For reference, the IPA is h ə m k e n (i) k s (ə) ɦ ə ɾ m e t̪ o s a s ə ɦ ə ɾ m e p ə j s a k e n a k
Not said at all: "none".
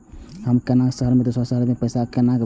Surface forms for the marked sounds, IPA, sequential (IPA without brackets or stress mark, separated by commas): a, ə